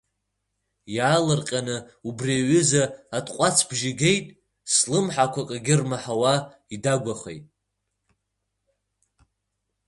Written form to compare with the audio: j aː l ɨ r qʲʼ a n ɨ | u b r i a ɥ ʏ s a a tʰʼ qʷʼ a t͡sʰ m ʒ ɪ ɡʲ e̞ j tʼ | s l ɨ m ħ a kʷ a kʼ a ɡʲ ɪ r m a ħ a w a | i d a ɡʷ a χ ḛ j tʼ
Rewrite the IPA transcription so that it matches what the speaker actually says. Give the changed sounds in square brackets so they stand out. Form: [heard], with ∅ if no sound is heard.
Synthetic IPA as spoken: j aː l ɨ r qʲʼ a n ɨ | u b r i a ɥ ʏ [z] a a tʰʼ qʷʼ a t͡sʰ [b] ʒ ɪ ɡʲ e̞ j tʼ | s l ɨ m ħ a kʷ a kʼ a ɡʲ ɪ r m a ħ a w a | i d a ɡʷ a χ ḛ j tʼ